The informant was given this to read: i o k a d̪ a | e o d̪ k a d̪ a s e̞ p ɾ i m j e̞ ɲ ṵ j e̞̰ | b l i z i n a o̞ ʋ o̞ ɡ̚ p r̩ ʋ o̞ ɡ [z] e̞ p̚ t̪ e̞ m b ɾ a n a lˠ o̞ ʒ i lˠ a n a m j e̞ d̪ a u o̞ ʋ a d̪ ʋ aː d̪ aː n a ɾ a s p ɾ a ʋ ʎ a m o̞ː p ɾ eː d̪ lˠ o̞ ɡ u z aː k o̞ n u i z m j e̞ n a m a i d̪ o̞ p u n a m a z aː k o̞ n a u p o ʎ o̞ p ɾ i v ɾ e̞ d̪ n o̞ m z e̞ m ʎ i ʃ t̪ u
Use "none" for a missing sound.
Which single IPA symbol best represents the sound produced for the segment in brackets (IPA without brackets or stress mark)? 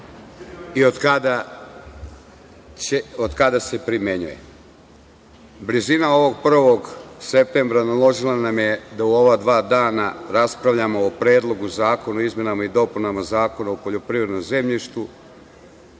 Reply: s